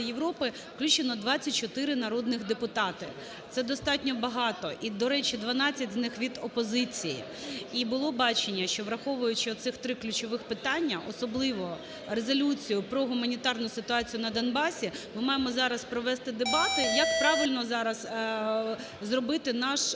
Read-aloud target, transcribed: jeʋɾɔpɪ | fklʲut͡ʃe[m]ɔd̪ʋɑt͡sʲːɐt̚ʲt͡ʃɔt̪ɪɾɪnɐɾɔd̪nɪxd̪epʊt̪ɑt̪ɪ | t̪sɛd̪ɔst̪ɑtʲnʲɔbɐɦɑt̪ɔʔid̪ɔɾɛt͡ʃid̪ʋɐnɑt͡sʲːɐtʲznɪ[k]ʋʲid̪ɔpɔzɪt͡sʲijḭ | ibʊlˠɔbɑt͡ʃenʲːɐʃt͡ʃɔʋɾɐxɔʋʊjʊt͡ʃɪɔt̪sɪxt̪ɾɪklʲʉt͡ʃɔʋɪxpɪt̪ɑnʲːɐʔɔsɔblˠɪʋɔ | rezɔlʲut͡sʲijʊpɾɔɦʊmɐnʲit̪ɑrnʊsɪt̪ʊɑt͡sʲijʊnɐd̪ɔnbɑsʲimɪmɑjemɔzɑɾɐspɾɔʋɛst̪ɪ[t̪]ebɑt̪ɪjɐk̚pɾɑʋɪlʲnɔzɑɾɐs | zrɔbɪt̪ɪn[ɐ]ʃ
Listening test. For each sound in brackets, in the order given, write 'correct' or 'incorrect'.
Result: incorrect: n, incorrect: x, incorrect: d̪, incorrect: ɑ

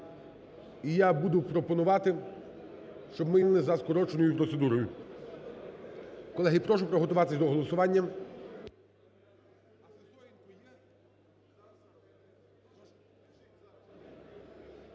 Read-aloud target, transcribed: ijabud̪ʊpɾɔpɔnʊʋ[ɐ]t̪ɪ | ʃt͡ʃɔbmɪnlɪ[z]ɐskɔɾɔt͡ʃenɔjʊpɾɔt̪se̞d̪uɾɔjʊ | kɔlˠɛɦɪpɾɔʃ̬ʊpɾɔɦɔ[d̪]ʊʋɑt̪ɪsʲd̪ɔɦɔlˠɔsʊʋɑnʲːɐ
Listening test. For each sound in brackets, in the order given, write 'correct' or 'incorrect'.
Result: incorrect: ɑ, correct, incorrect: t̪

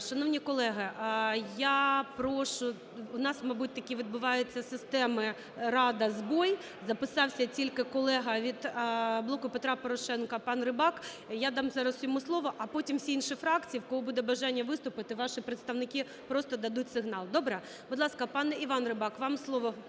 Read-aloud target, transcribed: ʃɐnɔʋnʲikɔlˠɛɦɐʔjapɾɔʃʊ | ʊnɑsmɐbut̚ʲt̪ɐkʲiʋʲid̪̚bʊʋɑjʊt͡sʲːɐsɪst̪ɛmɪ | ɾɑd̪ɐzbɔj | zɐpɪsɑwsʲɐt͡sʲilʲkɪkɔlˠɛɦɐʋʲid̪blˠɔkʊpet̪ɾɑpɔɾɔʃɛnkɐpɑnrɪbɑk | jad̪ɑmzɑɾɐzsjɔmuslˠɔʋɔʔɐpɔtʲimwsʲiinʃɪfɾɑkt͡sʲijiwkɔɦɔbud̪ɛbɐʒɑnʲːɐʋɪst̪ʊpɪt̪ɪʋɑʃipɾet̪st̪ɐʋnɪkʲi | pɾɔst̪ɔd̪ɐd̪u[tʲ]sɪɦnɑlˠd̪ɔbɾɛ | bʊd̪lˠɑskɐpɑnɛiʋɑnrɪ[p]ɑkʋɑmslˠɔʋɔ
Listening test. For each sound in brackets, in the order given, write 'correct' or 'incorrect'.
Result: correct, incorrect: b

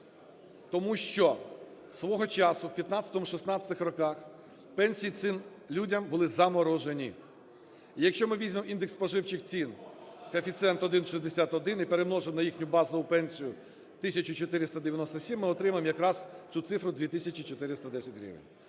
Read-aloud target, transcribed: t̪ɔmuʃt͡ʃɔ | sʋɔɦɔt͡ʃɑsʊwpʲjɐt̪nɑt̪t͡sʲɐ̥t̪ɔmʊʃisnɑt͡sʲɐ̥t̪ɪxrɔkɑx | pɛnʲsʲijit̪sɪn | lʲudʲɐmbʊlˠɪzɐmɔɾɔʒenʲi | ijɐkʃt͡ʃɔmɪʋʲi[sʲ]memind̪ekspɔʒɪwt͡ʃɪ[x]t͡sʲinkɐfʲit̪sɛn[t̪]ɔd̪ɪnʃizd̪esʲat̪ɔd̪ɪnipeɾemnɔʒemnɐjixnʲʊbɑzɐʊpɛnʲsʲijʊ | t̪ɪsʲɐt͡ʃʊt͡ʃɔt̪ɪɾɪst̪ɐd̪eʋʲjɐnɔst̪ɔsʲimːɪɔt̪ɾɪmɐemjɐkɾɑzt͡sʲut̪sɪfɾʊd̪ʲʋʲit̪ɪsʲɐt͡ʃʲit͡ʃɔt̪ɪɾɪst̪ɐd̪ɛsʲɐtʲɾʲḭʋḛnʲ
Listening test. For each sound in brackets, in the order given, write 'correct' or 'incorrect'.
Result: incorrect: zʲ, correct, correct

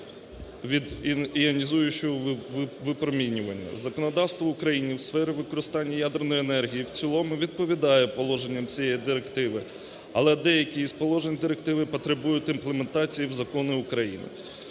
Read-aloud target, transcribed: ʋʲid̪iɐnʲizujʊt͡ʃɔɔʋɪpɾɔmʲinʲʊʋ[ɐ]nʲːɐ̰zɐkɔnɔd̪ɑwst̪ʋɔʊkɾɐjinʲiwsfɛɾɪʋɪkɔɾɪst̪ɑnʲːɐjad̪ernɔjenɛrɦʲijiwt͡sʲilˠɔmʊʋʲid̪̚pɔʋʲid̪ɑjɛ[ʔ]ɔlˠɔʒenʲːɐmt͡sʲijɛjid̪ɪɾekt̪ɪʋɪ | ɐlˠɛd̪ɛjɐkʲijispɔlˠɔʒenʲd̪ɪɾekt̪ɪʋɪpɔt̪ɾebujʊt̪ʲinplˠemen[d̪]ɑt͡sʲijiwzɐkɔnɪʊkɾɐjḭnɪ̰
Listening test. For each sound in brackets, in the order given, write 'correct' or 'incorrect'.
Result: correct, incorrect: p, incorrect: t̪

